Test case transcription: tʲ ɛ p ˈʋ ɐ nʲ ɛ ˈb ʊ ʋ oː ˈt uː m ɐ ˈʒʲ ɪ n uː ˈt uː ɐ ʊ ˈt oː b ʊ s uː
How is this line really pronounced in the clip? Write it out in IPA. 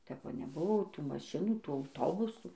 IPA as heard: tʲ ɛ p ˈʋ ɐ nʲ ɛ ˈb ʊ ʋ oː ˈt uː m ɐ ˈʃʲ ɪ n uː ˈt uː ɐ ʊ ˈt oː b ʊ s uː

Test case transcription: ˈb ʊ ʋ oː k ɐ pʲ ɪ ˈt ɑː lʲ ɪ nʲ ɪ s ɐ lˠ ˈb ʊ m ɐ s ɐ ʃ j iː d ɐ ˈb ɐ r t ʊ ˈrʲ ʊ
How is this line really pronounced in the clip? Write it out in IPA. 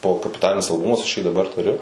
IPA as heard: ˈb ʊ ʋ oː k ɐ pʲ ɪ ˈt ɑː lʲ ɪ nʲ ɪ s ɐ lˠ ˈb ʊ m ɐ s ɐ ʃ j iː d ɐ ˈb ɐ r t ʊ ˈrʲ ʊ

